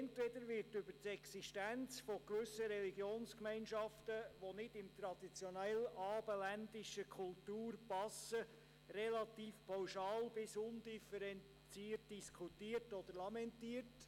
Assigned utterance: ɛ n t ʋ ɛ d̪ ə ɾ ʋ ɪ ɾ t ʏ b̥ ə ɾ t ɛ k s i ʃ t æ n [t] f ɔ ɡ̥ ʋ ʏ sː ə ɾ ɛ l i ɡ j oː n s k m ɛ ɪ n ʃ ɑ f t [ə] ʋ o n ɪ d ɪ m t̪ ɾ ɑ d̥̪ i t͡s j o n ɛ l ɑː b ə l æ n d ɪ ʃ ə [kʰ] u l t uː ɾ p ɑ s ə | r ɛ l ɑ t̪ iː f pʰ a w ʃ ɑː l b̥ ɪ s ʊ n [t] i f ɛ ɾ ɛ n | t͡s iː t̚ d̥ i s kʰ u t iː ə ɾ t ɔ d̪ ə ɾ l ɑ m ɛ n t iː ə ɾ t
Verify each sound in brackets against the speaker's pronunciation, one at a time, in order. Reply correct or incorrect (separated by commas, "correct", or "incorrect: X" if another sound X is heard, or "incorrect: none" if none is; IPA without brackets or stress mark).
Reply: incorrect: t͡s, correct, correct, incorrect: d